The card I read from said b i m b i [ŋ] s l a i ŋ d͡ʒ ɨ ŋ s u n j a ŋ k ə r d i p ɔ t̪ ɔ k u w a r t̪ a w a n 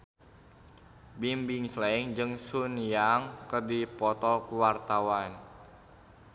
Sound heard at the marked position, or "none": ŋ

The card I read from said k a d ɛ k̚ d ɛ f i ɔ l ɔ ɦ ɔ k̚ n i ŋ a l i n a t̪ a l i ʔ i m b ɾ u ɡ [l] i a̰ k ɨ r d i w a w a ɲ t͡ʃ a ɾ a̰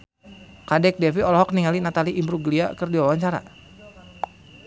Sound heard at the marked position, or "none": l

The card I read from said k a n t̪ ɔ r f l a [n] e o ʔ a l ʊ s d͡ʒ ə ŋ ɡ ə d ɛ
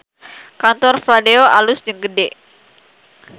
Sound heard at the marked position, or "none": d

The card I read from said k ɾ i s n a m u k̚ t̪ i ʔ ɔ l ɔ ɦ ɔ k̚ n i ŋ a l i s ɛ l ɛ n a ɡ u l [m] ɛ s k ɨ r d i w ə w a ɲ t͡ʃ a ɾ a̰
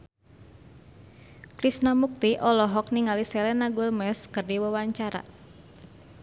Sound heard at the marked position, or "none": m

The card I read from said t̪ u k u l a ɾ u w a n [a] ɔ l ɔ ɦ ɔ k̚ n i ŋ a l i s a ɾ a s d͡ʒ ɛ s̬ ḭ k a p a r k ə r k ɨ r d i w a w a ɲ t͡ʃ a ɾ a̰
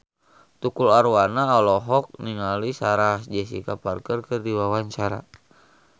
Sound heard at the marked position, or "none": a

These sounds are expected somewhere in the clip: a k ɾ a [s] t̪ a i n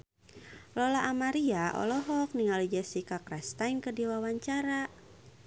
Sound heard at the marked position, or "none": s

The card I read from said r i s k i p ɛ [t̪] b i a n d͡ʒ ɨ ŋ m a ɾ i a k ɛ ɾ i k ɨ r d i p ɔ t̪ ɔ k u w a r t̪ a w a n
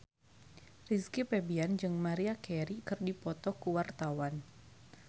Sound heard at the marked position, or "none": none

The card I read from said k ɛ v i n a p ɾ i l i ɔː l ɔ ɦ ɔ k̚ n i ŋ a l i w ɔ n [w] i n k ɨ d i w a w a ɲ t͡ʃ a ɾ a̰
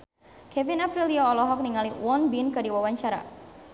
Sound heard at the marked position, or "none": b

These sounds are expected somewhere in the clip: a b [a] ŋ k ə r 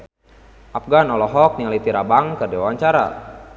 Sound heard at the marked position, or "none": a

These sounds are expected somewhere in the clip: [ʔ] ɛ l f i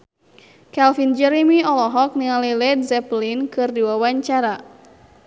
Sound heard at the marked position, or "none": k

